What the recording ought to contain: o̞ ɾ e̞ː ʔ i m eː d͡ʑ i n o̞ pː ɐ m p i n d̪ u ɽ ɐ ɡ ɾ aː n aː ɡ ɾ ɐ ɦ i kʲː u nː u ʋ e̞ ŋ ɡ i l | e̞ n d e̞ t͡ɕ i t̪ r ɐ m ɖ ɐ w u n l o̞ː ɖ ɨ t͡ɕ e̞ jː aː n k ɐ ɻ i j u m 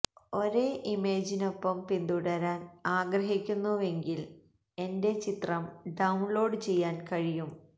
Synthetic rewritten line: o̞ ɾ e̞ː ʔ i m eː d͡ʑ i n o̞ pː ɐ m p i n d̪ u ɽ ɐ ɾ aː n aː ɡ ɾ ɐ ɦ i kʲː u nː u ʋ e̞ ŋ ɡ i l | e̞ n d e̞ t͡ɕ i t̪ r ɐ m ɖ ɐ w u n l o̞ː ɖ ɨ t͡ɕ e̞ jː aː n k ɐ ɻ i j u m